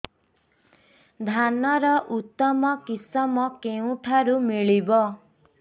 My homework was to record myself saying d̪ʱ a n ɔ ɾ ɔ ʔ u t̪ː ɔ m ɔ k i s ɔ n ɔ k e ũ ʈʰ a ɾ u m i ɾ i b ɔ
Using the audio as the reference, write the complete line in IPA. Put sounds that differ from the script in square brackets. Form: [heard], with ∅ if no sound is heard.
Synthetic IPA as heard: d̪ʱ a n ɔ ɾ ɔ ʔ u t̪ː ɔ m ɔ k i s ɔ [m] ɔ k e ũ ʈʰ a ɾ u m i [ɭ] i b ɔ